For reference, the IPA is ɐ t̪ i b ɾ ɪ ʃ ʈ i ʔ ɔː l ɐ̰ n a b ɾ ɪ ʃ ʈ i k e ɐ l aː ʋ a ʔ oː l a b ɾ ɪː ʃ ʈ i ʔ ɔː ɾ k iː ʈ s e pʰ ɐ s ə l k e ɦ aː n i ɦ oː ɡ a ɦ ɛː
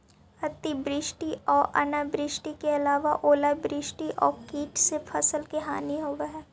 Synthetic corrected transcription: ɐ t̪ i b ɾ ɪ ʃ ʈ i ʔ ɔː ɾ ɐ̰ n a b ɾ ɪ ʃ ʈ i k e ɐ l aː ʋ a ʔ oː l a b ɾ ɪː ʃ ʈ i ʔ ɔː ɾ k iː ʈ s e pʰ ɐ s ə l k e ɦ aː n i ɦ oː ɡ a ɦ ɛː